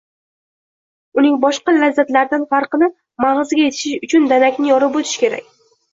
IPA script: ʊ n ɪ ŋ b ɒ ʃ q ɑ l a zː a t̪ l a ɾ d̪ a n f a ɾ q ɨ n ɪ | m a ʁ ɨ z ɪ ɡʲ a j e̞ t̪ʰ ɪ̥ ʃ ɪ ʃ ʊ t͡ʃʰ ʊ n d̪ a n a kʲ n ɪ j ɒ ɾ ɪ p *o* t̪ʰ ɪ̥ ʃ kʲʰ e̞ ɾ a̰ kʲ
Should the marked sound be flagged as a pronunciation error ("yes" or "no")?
no